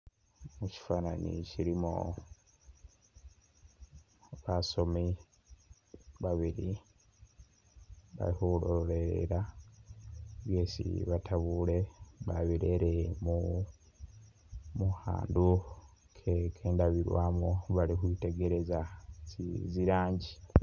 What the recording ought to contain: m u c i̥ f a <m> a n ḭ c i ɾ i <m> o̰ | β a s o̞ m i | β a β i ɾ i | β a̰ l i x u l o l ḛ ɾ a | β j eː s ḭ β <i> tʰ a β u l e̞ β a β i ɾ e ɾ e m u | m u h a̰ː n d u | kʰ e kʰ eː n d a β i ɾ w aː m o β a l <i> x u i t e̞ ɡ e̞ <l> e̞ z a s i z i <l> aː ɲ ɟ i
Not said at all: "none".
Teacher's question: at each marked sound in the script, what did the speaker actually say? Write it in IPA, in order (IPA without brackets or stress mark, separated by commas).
n, m, a, i, ɾ, ɾ